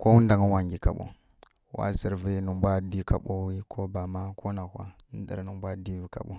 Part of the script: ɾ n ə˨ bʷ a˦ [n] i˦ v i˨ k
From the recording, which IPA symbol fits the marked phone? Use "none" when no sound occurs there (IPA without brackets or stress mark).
d